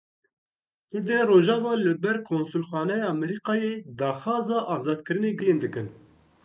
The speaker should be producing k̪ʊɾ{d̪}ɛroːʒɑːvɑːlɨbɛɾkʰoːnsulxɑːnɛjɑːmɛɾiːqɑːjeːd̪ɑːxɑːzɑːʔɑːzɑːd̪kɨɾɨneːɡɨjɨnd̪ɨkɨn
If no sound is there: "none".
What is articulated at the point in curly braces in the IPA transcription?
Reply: d̪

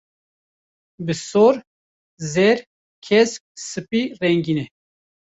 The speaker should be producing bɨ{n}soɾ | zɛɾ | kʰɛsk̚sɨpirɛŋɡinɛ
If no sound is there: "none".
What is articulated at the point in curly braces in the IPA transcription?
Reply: none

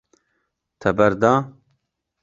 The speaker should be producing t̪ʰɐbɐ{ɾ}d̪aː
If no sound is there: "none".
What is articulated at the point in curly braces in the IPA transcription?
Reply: ɾ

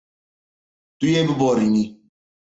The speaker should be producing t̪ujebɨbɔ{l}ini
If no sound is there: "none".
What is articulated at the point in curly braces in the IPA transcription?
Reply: ɾ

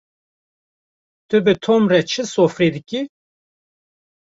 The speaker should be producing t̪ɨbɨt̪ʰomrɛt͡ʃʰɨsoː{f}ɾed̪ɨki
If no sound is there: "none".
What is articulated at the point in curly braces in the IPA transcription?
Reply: f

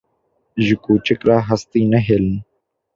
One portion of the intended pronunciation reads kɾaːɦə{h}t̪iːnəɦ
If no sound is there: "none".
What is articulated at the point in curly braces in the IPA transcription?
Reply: s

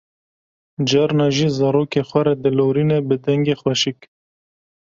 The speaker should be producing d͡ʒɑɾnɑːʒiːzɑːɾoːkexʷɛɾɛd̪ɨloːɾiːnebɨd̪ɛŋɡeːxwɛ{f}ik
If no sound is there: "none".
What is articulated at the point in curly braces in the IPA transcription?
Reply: ʃ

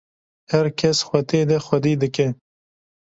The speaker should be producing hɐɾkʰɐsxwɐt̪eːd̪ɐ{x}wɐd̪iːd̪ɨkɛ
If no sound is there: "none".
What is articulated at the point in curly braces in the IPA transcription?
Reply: x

